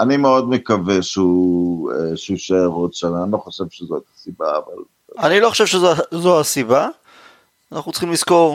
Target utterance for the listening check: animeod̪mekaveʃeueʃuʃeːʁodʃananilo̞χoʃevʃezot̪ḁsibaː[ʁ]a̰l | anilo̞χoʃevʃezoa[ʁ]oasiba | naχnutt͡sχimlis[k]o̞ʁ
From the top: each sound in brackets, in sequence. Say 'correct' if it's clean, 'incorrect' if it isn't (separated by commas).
incorrect, incorrect, correct